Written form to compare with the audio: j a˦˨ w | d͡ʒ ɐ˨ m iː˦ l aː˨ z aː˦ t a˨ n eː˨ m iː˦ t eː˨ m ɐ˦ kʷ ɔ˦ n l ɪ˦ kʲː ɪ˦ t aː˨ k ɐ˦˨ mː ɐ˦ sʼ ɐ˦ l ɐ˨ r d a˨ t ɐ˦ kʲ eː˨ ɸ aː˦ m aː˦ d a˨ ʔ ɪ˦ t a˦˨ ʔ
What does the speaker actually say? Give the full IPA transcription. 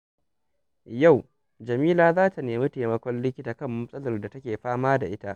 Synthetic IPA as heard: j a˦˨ w | d͡ʒ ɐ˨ m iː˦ l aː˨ z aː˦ t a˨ n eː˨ m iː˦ t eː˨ m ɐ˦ kʷ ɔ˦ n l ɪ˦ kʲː ɪ˦ t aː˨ k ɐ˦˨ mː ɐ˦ sʼ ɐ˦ l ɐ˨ r d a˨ t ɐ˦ kʲ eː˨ ɸ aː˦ m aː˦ d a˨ ʔ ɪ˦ t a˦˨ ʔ

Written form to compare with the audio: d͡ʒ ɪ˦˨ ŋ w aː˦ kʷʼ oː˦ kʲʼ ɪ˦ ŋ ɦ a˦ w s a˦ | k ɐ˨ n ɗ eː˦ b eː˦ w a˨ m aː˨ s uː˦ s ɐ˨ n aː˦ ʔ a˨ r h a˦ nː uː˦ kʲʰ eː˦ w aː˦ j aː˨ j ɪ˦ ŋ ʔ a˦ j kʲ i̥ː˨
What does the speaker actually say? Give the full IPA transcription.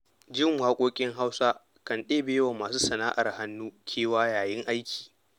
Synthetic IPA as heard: d͡ʒ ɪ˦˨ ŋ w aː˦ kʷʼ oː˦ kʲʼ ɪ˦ ŋ ɦ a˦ w s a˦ | k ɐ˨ n ɗ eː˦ b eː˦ w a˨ m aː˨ s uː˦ s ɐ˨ n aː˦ ʔ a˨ r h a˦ nː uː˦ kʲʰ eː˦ w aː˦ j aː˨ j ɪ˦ ŋ ʔ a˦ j kʲ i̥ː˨

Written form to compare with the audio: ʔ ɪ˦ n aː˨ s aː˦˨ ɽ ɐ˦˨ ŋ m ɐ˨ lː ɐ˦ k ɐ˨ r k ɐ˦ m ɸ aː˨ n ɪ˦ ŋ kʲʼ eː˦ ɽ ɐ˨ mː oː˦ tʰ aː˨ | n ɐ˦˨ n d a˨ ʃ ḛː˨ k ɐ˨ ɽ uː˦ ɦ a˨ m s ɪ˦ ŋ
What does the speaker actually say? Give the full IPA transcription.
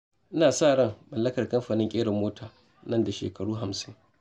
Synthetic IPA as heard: ʔ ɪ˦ n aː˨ s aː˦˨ ɽ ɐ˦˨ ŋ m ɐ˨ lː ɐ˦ k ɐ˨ r k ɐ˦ m ɸ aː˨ n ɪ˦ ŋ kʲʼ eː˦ ɽ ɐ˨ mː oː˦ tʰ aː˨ | n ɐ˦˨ n d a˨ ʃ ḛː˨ k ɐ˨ ɽ uː˦ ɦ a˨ m s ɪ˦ ŋ

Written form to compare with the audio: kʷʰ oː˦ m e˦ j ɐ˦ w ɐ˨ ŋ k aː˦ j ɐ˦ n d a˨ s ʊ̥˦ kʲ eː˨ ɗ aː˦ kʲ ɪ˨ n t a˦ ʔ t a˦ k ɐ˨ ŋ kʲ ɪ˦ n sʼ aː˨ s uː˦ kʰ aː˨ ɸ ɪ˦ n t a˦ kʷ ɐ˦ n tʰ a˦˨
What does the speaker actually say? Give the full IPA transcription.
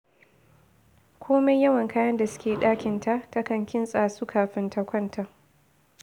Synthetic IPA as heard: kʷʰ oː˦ m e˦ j ɐ˦ w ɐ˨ ŋ k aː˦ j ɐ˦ n d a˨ s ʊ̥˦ kʲ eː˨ ɗ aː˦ kʲ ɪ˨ n t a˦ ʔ t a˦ k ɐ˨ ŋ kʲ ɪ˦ n sʼ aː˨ s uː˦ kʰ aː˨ ɸ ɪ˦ n t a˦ kʷ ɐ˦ n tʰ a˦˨

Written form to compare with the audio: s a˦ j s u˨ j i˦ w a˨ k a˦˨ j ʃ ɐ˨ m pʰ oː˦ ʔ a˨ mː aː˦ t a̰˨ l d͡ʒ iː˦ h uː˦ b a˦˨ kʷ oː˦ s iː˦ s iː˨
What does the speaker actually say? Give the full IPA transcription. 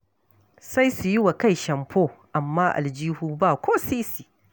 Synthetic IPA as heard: s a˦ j s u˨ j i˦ w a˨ k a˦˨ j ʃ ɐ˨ m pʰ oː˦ ʔ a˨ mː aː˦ ʔ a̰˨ l d͡ʒ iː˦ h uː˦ b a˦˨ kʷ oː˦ s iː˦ s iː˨

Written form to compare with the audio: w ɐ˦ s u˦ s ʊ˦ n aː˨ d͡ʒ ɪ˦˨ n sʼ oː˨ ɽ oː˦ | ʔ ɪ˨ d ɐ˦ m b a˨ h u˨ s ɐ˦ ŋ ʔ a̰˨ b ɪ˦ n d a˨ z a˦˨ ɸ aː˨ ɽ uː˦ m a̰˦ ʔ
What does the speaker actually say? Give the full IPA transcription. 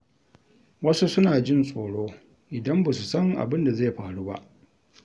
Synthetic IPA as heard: w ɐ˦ s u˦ s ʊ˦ n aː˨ d͡ʒ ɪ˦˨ n sʼ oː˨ ɽ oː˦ | ʔ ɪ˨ d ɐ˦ m b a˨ s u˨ s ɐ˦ ŋ ʔ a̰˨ b ɪ˦ n d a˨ z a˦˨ ɸ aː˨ ɽ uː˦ b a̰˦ ʔ

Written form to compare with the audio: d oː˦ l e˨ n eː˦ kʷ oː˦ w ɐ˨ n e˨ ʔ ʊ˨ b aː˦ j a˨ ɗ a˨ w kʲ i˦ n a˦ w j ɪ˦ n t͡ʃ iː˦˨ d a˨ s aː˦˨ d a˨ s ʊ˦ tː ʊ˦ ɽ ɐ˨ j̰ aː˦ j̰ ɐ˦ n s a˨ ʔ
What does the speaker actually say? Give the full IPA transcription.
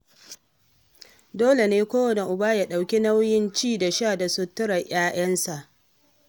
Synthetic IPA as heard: d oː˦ l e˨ n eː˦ kʷ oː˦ w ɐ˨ n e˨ ʔ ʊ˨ b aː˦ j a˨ ɗ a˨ w kʲ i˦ n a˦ w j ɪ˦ n t͡ʃ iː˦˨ d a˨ ʃ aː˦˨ d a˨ s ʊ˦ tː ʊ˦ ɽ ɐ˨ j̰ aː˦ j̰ ɐ˦ n s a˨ ʔ

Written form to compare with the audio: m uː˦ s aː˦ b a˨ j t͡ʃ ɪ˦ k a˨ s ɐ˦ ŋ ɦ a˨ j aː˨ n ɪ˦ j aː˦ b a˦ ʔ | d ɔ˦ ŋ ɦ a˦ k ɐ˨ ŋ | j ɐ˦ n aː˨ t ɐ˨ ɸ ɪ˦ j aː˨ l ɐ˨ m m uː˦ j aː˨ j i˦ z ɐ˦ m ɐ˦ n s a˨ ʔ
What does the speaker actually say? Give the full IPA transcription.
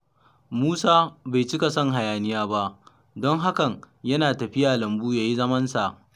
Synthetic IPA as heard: m uː˦ s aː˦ b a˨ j t͡ʃ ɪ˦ k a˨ s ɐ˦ ŋ ɦ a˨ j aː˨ n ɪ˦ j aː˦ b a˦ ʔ | d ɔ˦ ŋ ɦ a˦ k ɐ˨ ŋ | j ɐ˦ n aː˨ t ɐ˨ ɸ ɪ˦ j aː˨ l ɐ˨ m b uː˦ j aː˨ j i˦ z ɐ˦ m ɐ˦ n s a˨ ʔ

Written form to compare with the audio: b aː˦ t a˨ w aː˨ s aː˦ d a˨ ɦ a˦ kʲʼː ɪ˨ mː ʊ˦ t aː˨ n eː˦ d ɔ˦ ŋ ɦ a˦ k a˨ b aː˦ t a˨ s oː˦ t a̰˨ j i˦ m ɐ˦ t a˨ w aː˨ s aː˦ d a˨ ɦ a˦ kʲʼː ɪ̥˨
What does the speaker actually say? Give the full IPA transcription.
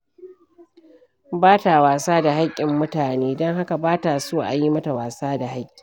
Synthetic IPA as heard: b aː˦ t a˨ w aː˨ s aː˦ d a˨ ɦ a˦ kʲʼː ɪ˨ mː ʊ˦ t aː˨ n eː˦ d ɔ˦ ŋ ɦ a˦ k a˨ b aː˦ t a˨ s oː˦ ʔ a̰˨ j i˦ m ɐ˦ t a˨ w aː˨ s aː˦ d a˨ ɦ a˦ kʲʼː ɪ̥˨

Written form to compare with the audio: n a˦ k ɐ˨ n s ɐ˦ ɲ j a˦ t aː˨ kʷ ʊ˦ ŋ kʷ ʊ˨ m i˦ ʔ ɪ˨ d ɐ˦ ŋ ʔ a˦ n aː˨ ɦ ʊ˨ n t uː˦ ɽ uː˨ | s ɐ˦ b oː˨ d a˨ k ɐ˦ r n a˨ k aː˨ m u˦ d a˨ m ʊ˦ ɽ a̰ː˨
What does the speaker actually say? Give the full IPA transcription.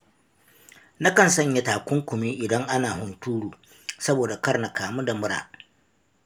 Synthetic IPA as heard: n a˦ k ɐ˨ n s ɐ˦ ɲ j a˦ t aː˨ kʷ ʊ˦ ŋ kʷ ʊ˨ m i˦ ʔ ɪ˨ d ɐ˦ ŋ ʔ a˦ n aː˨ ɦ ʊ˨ n t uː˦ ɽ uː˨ | s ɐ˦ b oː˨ d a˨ k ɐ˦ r n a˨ k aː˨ m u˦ d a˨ m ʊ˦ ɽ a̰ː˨

